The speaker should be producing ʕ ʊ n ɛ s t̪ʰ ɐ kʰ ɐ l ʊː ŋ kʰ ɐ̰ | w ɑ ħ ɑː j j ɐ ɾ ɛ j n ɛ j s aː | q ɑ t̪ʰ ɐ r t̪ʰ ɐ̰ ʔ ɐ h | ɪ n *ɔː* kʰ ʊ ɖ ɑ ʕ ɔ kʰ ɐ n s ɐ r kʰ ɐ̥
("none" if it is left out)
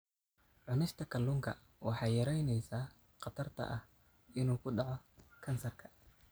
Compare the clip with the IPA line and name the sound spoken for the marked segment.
uː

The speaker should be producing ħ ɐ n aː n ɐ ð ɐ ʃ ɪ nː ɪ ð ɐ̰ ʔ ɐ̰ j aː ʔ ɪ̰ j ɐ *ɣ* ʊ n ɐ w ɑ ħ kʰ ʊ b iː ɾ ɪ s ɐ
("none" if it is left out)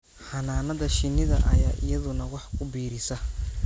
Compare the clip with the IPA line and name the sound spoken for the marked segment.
ð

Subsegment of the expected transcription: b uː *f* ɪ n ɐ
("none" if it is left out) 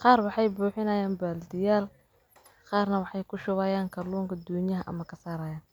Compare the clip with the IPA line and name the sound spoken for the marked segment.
ħ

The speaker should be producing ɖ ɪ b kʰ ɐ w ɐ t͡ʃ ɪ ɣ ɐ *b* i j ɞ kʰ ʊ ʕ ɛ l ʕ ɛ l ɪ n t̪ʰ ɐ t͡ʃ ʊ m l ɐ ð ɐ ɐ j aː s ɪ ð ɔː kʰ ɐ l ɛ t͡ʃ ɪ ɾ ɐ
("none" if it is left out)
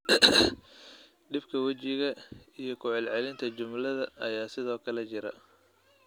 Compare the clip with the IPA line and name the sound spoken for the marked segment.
none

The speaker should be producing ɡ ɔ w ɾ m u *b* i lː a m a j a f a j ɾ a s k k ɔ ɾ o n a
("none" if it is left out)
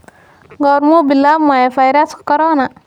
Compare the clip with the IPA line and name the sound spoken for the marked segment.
b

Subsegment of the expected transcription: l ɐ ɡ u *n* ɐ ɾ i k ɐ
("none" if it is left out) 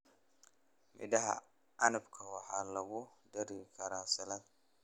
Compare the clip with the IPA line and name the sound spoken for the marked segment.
d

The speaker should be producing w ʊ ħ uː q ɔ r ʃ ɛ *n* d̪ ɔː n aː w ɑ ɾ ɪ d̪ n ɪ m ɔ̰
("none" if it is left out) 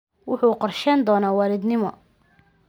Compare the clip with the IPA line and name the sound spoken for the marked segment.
n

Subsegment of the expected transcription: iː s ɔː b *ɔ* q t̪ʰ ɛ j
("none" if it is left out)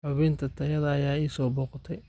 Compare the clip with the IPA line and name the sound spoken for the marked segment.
ɔː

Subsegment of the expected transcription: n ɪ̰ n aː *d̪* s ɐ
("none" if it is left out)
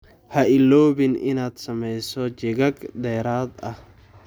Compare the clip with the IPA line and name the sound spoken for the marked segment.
d̪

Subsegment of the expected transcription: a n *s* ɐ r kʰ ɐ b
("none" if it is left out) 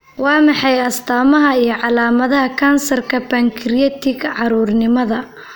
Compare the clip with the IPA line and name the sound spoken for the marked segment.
s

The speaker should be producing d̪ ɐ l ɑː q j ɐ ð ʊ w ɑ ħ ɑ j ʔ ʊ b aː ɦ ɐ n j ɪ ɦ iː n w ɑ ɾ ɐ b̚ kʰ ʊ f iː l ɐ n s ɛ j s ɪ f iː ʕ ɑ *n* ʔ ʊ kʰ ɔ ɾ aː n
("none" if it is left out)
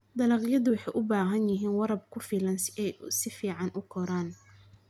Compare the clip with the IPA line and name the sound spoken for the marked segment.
n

